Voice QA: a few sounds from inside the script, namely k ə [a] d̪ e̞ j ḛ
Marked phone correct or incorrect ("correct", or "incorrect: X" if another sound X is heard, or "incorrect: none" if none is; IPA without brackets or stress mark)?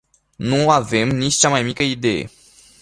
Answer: incorrect: i